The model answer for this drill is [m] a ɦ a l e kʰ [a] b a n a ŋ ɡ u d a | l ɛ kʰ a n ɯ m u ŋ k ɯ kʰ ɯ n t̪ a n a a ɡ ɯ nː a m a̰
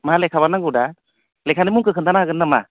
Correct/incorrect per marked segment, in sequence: correct, correct

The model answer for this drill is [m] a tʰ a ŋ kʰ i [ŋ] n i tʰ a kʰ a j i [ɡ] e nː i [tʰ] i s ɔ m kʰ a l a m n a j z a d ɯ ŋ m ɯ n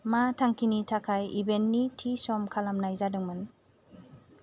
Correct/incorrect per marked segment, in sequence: correct, incorrect: none, incorrect: b, correct

